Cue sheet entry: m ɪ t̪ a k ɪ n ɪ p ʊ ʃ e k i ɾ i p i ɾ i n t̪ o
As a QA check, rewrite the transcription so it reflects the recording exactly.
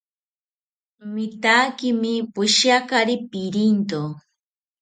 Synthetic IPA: m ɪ t̪ a k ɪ m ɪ p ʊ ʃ a k a ɾ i p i ɾ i n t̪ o